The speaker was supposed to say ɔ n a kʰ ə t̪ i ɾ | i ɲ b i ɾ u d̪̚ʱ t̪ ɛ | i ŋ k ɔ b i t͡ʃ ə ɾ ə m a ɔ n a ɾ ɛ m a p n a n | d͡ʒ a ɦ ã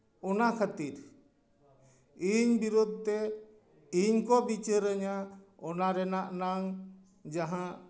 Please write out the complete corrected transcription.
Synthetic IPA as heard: ɔ n a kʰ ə t̪ i ɾ | i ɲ b i ɾ u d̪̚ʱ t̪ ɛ | i ɲ k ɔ b i t͡ʃ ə ɾ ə ɲ a ɔ n a ɾ ɛ n a ʔ n a ŋ | d͡ʒ a ɦ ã